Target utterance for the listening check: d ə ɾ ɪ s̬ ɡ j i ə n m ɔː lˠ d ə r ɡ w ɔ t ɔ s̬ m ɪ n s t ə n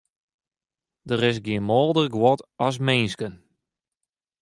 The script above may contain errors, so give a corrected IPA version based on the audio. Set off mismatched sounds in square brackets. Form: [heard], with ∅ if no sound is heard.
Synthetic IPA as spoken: d ə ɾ ɪ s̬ ɡ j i ə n m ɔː lˠ d ə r ɡ w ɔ t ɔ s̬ m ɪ n s [k] ə n